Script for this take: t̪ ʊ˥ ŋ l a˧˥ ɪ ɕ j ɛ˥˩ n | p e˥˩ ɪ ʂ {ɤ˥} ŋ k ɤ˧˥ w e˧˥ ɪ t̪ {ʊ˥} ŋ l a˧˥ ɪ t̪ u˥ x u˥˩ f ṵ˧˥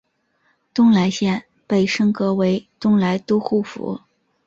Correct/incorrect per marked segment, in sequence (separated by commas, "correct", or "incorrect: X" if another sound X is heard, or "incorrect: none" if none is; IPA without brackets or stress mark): correct, correct